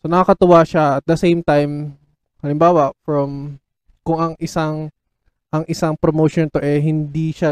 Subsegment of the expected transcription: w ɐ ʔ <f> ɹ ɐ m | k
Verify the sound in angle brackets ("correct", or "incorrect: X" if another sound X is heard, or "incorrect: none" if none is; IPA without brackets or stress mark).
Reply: correct